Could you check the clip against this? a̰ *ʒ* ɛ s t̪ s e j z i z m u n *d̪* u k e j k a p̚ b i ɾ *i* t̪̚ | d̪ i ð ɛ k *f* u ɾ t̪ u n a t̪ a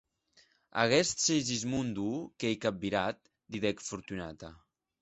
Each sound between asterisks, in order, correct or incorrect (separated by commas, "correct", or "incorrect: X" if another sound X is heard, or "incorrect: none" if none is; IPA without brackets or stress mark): incorrect: ɣ, correct, incorrect: a, correct